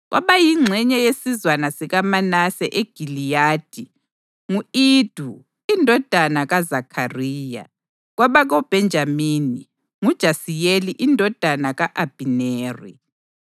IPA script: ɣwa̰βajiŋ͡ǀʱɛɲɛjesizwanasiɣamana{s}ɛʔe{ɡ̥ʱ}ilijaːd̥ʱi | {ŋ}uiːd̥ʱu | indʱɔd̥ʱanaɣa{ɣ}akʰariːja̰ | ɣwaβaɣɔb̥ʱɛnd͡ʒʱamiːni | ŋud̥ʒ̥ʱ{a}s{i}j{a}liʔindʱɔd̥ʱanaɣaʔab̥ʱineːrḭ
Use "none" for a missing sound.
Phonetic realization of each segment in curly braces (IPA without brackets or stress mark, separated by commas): s, ɡ̥ʱ, ŋ, z, a, i, e